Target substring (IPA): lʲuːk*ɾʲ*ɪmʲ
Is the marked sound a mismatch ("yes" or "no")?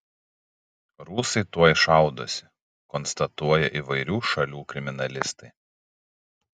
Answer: no